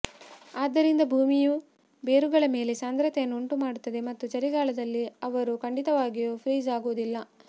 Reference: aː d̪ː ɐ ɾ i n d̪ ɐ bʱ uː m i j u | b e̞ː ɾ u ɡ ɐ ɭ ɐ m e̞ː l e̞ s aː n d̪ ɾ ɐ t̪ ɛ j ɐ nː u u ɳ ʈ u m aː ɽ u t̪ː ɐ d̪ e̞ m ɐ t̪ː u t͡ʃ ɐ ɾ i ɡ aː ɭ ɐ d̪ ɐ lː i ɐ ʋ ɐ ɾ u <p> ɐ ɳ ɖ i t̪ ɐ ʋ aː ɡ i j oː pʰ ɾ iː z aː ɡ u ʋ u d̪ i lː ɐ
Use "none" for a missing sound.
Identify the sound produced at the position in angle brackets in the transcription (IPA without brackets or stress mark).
k